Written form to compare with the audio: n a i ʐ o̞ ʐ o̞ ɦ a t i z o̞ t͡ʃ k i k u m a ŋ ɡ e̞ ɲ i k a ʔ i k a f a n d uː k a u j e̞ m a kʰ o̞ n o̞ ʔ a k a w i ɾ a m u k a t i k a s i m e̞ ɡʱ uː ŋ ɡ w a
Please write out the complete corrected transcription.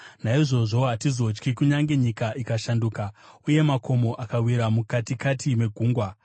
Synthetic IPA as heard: n a i ʐ o̞ ʐ o̞ ɦ a t i z o̞ t͡ʃ k i k u ɲ a ŋ ɡ e̞ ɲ i k a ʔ i k a ʃ a n d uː k a u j e̞ m a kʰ o̞ m o̞ ʔ a k a w i ɾ a m u k a t i k a t i m e̞ ɡʱ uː ŋ ɡ w a